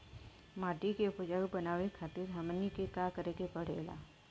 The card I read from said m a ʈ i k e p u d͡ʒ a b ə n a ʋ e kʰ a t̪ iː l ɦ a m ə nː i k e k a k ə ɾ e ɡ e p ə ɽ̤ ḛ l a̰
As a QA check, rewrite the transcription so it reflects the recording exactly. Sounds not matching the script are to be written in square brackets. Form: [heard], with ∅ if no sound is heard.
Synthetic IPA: m a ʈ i k e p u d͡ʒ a b ə n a ʋ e kʰ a t̪ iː [ɾ] ɦ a m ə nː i k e k a k ə ɾ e [k] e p ə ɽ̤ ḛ l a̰